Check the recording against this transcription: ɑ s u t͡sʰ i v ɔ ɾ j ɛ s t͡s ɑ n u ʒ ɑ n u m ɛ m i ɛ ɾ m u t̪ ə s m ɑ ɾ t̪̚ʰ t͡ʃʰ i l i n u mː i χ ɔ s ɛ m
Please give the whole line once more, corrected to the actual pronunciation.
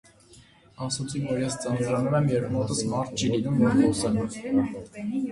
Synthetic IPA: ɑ s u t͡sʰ i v ɔ ɾ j ɛ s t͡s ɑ n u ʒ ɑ n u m ɛ m j ɛ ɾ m ɔ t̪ ə s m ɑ ɾ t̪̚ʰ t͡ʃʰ i l i n u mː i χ ɔ s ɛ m